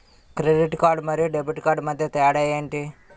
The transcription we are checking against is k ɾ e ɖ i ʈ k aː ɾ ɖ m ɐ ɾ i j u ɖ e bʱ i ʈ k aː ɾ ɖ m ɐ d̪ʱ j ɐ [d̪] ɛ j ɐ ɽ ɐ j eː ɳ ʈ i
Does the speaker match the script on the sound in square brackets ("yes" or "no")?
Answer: no